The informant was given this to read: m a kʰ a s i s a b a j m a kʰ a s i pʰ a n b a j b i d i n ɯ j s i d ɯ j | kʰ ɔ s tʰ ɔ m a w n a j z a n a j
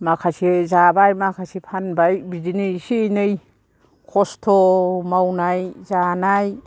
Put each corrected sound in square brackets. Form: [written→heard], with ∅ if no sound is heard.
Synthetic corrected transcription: m a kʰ a s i [s→z] a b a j m a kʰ a s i pʰ a n b a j b i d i n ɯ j s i [d→n] ɯ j | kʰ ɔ s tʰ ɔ m a w n a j z a n a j